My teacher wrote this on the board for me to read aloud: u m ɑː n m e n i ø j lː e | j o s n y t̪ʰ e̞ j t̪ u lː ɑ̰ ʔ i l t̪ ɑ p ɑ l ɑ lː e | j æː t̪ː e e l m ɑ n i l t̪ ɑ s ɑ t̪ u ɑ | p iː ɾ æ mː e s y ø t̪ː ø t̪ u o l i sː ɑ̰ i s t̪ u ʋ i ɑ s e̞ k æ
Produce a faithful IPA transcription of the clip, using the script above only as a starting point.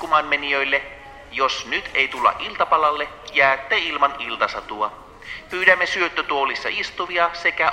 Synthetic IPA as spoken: u m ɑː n m e n i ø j lː e | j o s n y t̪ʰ e̞ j t̪ u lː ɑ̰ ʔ i l t̪ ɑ p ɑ l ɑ lː e | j æː t̪ː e i l m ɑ n i l t̪ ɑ s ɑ t̪ u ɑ | p yː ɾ æ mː e s y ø t̪ː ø t̪ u o l i sː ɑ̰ i s t̪ u ʋ i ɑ s e̞ k æ